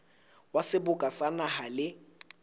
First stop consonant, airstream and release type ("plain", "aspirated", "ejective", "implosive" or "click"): plain